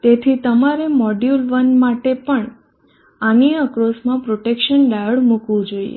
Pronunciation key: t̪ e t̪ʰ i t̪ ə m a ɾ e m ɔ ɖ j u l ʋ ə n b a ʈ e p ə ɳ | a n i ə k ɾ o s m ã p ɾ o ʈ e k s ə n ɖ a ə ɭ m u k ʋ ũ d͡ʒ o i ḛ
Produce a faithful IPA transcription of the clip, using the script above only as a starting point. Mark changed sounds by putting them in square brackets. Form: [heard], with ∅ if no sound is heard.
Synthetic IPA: t̪ e t̪ʰ i t̪ ə m a ɾ e m ɔ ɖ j u l ʋ ə n [m] a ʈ e p ə ɳ | a n i ə k ɾ o s m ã p ɾ o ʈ e k [ʃ] ə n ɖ a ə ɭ m u k ʋ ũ d͡ʒ o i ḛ